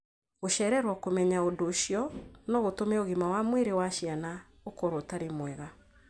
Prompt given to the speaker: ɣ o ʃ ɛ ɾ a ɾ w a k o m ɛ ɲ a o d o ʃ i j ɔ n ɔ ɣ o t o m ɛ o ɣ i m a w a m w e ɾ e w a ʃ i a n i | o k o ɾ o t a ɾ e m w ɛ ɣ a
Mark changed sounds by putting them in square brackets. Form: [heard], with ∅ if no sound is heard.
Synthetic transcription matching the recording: ɣ o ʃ ɛ ɾ [ɛ] ɾ w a k o m ɛ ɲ a o d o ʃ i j ɔ n ɔ ɣ o t o m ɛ o ɣ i m a w a m w e ɾ e w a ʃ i a n [a] | o k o ɾ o t a ɾ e m w ɛ ɣ a

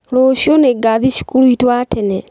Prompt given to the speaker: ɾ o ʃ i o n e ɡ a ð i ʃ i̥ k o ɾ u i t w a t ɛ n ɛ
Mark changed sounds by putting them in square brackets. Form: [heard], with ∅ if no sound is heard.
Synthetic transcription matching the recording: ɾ o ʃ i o n e ɡ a ð i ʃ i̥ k [u] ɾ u i t w a t ɛ n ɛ

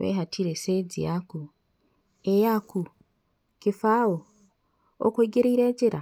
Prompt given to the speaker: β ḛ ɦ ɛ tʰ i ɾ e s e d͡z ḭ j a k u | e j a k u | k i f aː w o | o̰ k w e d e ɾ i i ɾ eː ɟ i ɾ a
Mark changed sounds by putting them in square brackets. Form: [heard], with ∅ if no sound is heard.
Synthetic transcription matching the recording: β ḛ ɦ [a] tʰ i ɾ e s e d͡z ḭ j a k u | e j a k u | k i f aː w o | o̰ k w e [ɡ] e ɾ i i ɾ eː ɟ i ɾ a

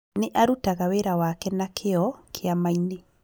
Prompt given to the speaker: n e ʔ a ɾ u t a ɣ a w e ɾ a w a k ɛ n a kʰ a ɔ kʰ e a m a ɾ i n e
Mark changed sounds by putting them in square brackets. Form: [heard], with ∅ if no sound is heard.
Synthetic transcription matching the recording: n e ʔ a ɾ u t a ɣ a w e ɾ a w a k ɛ n a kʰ [e] ɔ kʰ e a m a [∅] i n e

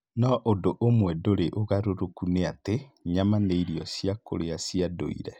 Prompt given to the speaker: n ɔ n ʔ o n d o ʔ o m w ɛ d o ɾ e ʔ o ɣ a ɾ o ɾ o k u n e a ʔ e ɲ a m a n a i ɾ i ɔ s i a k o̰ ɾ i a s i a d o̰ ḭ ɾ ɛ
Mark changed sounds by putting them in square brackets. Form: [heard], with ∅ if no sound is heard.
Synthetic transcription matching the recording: n ɔ [∅] ʔ o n d o ʔ o m w ɛ d o ɾ e ʔ o ɣ a ɾ o ɾ o k u n e a [t] e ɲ a m a n [e] i ɾ i ɔ s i a k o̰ ɾ [e] a s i a d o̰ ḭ ɾ ɛ

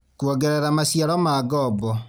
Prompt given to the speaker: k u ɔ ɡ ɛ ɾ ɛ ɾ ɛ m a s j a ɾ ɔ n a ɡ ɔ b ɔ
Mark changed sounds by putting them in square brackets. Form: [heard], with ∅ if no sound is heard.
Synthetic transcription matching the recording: k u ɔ ɡ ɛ ɾ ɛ ɾ [a] m a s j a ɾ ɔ [m] a ɡ ɔ b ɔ

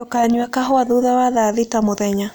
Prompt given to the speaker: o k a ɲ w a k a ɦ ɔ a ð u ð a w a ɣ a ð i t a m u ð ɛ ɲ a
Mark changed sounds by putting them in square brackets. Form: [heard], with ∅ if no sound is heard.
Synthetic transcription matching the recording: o k a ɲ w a k a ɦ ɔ a ð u ð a w a [ð] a ð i t a m [o] ð ɛ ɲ a

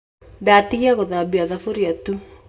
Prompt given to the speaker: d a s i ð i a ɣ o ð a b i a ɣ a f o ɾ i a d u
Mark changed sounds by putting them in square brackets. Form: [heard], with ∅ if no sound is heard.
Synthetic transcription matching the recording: d a [t] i [ɣ] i a ɣ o ð a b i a [ð] a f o ɾ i a [t] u

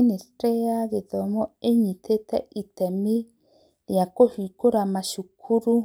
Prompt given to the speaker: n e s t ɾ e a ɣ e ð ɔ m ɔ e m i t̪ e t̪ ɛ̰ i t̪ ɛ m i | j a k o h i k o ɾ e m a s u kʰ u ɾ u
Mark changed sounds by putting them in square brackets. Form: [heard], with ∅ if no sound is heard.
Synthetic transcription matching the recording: n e s t ɾ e a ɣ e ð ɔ m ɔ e [ɲ] i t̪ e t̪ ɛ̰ i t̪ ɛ m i | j a k o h i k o ɾ [a] m a [ʃ] u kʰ u ɾ u

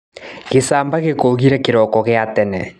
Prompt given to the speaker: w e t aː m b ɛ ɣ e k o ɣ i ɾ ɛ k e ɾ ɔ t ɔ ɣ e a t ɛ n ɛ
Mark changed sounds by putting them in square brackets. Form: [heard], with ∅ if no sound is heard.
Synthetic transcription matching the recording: [ɣ] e [s] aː m b [a] ɣ e k o ɣ i ɾ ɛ k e ɾ ɔ [k] ɔ ɣ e a t ɛ n ɛ

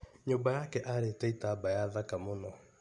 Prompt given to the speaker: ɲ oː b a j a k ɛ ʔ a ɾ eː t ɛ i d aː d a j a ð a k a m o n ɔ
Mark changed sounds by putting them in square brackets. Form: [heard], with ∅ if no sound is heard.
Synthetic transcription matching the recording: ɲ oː b a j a k ɛ ʔ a ɾ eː t ɛ i [t] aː [b] a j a ð a k a m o n ɔ

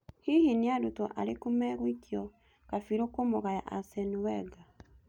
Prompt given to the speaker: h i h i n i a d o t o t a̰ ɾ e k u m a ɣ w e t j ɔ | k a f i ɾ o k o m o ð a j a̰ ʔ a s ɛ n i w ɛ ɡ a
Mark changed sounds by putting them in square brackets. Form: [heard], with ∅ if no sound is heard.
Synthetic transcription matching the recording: h i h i n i a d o t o [ʔ] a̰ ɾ e k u m [ɛ] ɣ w [i] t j ɔ | k a f i ɾ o k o m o [ɣ] a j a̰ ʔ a s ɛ n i w ɛ ɡ a

